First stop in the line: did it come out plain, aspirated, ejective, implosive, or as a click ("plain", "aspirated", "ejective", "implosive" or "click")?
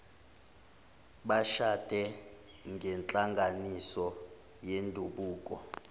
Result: implosive